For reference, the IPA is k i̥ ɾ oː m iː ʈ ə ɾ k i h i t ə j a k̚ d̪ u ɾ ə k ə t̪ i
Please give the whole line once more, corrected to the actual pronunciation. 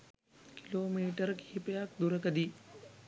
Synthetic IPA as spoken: k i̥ l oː m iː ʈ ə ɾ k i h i p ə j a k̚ d̪ u ɾ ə k ə d̪ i